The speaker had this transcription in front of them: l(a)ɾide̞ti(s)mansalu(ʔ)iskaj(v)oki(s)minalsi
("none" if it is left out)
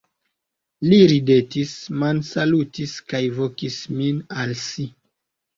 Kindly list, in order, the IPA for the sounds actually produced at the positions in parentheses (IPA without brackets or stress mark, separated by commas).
i, s, t, v, s